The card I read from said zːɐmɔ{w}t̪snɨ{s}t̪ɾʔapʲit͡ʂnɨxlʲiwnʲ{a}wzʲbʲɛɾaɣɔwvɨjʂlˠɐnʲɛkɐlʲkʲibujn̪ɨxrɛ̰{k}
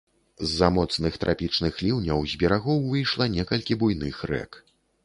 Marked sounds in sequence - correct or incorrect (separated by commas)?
incorrect, incorrect, incorrect, correct